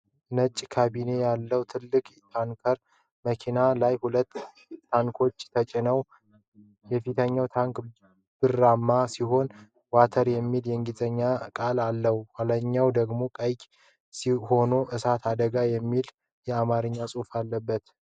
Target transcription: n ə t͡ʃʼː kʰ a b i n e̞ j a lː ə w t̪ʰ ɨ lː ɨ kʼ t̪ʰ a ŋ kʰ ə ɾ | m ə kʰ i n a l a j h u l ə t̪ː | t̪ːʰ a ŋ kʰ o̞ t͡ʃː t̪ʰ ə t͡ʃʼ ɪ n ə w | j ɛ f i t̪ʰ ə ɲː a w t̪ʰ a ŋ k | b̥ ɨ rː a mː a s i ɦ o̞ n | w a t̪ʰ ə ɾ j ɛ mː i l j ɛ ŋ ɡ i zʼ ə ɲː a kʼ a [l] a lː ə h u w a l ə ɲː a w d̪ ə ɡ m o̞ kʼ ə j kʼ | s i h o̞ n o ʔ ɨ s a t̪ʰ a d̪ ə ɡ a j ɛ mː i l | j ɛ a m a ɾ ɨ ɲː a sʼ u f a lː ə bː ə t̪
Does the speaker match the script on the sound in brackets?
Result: yes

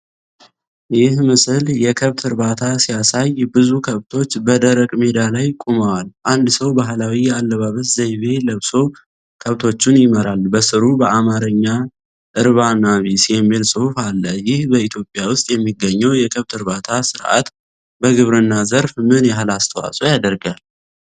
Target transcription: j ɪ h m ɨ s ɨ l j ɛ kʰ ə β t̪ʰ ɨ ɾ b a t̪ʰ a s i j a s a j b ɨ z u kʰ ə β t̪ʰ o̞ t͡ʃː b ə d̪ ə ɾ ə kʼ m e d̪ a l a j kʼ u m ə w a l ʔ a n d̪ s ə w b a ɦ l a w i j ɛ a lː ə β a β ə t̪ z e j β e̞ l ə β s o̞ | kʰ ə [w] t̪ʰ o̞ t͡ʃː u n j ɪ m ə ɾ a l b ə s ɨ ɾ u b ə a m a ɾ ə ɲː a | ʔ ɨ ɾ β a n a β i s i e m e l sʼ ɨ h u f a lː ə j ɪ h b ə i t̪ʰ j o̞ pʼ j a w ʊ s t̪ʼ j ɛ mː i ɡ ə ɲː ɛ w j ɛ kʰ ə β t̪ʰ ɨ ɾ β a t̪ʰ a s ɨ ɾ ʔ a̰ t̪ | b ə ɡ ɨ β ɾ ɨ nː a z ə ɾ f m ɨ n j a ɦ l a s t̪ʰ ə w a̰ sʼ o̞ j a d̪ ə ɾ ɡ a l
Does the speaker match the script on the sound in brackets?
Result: no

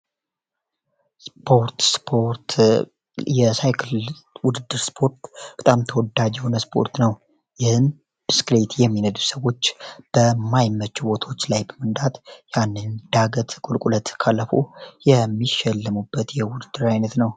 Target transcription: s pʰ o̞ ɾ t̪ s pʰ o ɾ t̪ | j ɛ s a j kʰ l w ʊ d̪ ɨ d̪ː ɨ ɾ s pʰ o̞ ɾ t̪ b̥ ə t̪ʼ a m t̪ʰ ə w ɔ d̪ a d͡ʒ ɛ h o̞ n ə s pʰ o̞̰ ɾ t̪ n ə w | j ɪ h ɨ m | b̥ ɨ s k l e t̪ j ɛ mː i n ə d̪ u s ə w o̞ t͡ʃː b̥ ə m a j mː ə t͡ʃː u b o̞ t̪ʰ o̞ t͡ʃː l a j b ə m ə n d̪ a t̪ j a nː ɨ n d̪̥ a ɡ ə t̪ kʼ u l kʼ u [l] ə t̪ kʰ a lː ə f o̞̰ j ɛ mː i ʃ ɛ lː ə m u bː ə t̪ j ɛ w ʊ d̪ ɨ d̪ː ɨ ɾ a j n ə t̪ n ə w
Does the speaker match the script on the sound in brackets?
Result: yes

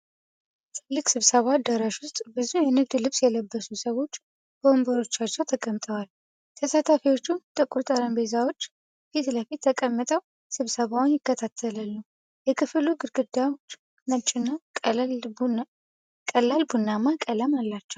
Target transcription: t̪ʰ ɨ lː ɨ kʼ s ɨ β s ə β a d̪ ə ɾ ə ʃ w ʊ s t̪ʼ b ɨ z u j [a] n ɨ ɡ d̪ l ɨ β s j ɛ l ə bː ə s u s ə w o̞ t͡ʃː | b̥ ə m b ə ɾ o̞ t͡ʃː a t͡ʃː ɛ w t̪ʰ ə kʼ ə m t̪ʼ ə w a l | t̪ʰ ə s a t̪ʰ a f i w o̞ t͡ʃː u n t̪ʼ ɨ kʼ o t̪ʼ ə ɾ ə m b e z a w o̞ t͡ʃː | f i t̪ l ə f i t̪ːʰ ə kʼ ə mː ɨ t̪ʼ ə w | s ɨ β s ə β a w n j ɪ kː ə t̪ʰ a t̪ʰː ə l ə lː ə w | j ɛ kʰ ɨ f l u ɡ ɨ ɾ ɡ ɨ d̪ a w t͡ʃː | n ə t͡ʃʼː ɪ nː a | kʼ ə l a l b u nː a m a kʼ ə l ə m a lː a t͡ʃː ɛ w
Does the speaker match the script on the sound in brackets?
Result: no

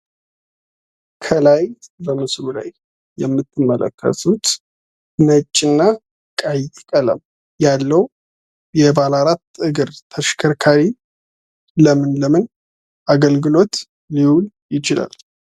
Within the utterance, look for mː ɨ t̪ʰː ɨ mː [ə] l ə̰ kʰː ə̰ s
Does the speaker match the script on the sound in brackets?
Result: yes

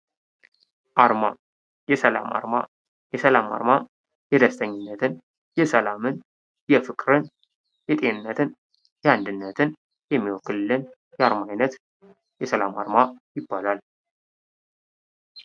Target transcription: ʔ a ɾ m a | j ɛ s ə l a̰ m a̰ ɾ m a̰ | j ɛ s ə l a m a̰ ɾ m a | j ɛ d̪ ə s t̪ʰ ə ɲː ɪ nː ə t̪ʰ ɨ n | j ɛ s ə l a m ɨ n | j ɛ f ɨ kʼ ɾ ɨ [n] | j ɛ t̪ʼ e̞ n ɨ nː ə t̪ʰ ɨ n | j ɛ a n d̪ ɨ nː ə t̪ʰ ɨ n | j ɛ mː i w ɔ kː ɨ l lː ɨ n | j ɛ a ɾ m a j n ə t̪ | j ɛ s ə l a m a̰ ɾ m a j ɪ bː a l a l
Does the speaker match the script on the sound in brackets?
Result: yes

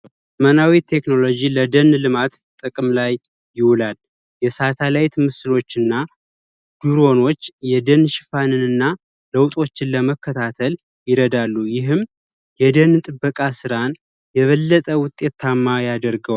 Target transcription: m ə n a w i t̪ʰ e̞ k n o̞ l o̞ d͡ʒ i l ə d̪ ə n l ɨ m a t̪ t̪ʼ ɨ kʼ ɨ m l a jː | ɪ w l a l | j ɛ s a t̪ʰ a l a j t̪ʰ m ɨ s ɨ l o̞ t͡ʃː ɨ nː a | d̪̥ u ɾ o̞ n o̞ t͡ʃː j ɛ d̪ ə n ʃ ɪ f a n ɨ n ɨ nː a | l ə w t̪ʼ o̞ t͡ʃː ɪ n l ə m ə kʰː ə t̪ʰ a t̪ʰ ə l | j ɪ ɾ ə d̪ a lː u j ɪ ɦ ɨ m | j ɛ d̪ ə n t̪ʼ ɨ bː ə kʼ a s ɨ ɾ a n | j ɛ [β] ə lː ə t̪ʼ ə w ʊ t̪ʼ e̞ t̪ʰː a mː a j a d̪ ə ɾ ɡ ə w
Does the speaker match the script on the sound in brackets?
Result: yes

